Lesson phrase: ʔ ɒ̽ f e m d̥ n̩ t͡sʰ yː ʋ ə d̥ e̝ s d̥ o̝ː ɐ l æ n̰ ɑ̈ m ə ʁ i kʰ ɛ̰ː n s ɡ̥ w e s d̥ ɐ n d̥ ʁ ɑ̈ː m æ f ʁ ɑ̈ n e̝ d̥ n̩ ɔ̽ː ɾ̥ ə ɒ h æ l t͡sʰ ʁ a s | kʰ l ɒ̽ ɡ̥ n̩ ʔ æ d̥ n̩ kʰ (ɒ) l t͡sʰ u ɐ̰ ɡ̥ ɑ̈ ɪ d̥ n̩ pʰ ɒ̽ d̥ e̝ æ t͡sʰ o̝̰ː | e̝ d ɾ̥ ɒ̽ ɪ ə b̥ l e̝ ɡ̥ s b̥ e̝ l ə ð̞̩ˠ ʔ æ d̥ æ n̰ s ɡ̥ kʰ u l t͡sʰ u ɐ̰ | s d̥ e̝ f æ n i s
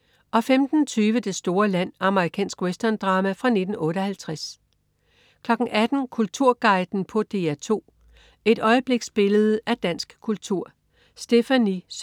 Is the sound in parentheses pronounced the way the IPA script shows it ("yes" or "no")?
no